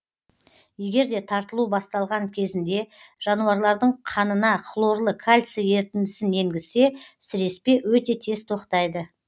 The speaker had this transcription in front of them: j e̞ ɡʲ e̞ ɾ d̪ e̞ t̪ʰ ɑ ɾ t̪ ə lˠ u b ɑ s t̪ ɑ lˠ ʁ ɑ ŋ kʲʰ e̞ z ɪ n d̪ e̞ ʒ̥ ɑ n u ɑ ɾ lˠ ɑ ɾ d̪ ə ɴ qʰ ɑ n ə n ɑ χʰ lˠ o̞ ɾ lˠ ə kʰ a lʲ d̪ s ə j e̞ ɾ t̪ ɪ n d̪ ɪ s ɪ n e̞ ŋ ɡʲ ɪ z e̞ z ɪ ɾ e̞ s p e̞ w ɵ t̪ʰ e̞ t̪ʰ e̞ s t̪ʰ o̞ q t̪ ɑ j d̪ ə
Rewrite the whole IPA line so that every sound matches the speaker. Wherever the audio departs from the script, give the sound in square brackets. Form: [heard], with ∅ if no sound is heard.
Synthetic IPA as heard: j e̞ ɡʲ e̞ ɾ d̪ e̞ t̪ʰ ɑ ɾ t̪ ə lˠ u b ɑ s t̪ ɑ lˠ ʁ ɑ ŋ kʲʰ e̞ z ɪ n d̪ e̞ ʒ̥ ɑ n u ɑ ɾ lˠ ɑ ɾ d̪ ə ɴ qʰ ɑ n ə n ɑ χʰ lˠ o̞ ɾ lˠ ə kʰ a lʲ [t̪] s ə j e̞ ɾ t̪ ɪ n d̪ ɪ s ɪ n e̞ ŋ ɡʲ ɪ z e̞ [s] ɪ ɾ e̞ s p e̞ w ɵ [t̪] e̞ t̪ʰ e̞ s t̪ʰ o̞ q t̪ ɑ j d̪ ə